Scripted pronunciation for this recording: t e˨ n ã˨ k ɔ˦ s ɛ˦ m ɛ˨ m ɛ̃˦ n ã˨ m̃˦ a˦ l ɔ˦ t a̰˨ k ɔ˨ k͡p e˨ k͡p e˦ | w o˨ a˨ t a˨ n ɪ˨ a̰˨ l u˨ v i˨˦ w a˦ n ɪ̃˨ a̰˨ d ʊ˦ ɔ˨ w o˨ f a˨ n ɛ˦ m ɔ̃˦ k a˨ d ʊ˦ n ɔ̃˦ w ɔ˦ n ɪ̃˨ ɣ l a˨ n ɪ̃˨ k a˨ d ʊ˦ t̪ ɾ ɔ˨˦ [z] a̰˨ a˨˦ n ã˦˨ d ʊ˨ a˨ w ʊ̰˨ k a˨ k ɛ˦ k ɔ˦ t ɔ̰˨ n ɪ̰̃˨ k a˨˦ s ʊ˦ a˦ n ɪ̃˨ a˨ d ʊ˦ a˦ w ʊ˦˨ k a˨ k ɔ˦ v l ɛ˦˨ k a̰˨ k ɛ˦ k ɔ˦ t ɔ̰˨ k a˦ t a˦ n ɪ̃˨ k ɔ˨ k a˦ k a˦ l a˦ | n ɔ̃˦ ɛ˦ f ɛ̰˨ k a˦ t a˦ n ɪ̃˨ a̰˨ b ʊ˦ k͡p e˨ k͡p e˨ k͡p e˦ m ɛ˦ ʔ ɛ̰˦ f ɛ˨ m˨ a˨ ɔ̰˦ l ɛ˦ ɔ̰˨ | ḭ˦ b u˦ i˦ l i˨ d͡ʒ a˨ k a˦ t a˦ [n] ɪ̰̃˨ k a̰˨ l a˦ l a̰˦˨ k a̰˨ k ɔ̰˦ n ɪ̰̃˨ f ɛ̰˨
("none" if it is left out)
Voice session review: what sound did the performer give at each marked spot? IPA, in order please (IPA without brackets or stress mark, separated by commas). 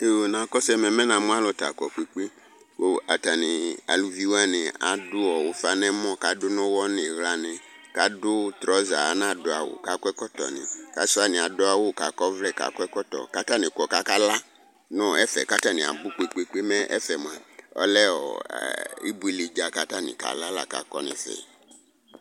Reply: z, n